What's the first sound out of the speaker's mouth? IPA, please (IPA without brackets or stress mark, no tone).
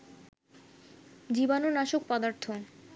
d͡ʑ